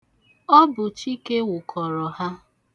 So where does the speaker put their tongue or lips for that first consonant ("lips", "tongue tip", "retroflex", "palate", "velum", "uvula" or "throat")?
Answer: lips